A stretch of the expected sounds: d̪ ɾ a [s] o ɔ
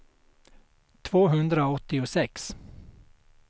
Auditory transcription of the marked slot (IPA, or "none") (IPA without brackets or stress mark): none